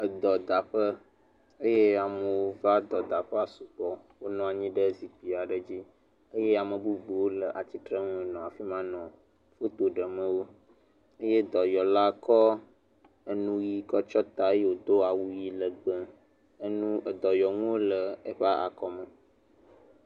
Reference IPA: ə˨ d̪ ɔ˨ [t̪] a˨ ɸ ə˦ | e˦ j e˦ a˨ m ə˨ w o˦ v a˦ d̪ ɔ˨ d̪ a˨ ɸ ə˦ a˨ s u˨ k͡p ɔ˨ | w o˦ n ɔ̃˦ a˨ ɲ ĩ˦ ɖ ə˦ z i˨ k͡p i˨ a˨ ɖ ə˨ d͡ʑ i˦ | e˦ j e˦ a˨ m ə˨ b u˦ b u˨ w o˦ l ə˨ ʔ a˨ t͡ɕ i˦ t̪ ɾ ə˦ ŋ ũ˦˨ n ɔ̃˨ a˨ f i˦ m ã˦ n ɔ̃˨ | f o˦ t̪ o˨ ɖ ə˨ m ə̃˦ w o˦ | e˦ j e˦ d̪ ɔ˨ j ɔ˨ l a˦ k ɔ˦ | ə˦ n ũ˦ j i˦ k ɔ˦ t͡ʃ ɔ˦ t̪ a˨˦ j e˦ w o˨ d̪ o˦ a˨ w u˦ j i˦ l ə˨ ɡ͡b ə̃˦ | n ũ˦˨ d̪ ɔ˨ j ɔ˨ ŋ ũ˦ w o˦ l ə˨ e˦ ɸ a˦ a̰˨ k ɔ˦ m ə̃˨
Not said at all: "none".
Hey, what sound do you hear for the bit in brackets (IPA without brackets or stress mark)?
d̪